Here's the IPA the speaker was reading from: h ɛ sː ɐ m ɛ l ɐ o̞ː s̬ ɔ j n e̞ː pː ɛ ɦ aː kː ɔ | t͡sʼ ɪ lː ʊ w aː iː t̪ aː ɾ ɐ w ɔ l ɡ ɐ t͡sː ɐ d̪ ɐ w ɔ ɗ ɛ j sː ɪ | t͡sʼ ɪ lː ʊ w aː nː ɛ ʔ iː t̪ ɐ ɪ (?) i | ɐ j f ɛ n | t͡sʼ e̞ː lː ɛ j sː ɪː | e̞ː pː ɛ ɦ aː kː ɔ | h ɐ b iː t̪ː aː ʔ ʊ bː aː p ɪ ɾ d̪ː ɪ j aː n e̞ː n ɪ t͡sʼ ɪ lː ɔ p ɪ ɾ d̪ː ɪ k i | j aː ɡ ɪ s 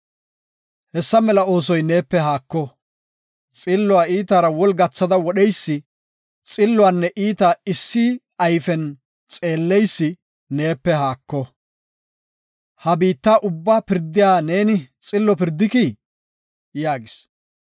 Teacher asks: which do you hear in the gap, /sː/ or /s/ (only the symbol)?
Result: sː